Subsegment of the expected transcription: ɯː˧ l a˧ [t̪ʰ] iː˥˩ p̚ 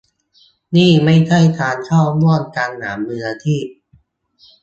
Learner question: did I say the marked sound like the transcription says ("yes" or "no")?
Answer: yes